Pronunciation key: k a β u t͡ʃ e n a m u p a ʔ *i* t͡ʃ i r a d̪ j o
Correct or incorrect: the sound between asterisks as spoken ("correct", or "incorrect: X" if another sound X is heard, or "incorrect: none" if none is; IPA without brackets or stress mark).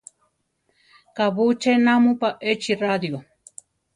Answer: incorrect: e